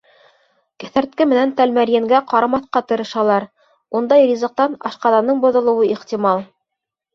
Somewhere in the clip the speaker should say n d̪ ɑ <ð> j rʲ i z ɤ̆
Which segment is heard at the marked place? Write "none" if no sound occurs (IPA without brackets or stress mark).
none